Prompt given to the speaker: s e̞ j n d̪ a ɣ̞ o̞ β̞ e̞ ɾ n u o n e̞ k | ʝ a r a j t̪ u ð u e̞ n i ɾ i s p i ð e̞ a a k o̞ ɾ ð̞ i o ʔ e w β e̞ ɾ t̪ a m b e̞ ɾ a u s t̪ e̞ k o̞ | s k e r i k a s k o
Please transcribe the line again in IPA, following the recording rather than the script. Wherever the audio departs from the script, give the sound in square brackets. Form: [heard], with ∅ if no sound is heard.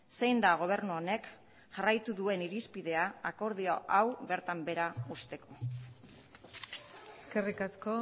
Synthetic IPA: s e̞ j n d̪ a ɣ̞ o̞ β̞ e̞ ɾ n u o n e̞ k | ʝ a r a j t̪ u ð u e̞ n i ɾ i s p i ð e̞ a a k o̞ ɾ ð̞ i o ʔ [a] w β e̞ ɾ t̪ a m b e̞ ɾ a u s t̪ e̞ k o̞ | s k e r i k a s k o